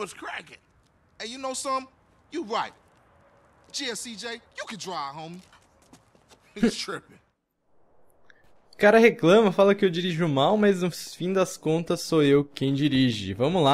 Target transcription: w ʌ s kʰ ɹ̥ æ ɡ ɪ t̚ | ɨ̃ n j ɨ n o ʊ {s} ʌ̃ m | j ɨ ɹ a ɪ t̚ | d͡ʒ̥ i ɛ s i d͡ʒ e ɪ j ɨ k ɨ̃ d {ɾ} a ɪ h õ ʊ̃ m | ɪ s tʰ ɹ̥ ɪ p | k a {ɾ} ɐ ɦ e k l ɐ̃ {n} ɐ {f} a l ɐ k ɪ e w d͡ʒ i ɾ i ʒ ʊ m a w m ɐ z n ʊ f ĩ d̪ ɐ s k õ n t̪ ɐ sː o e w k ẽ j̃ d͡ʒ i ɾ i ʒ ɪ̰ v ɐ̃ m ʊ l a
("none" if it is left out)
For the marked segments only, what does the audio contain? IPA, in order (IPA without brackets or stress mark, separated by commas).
s, ɹ, ɾ, m, f